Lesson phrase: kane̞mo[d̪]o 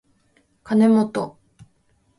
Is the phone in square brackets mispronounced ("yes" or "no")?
yes